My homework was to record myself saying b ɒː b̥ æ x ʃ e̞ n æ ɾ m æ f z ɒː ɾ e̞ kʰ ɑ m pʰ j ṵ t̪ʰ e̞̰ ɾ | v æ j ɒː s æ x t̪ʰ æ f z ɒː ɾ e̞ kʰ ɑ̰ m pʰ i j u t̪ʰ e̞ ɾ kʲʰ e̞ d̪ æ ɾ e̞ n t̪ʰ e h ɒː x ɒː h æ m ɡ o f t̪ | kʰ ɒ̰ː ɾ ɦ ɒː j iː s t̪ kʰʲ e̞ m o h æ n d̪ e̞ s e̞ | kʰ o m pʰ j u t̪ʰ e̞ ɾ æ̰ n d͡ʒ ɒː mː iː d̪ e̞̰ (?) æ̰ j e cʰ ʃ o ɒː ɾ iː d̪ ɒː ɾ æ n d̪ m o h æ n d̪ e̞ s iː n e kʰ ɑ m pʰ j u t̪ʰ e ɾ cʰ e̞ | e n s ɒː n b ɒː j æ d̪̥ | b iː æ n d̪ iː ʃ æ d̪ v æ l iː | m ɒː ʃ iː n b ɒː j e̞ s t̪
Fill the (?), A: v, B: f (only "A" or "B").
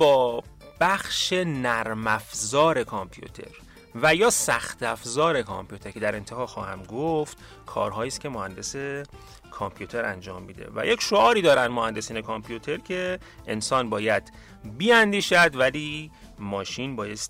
A